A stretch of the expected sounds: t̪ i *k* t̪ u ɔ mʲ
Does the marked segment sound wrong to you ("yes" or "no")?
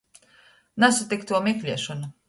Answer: no